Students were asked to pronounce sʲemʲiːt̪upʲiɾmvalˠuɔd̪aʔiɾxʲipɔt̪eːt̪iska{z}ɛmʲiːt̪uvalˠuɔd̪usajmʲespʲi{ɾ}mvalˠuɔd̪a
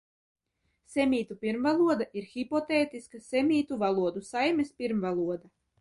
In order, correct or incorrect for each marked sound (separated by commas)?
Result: incorrect, correct